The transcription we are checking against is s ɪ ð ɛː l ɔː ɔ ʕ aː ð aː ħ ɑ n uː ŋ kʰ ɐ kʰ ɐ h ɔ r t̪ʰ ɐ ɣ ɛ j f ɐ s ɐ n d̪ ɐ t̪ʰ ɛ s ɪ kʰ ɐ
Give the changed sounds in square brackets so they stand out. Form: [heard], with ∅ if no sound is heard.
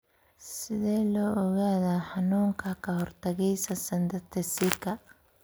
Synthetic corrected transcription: s ɪ ð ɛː l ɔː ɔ [ɣ] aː ð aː ħ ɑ n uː ŋ kʰ ɐ kʰ ɐ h ɔ r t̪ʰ ɐ ɣ ɛ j [s] ɐ s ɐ n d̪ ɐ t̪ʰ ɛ s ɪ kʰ ɐ